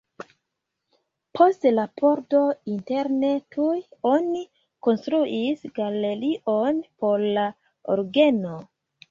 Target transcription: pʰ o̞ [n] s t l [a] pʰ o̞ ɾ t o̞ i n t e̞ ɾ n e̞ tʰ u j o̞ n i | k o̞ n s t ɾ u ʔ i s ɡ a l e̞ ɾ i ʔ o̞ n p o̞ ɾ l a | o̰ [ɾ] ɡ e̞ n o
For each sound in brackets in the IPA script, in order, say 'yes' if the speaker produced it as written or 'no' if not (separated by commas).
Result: no, yes, yes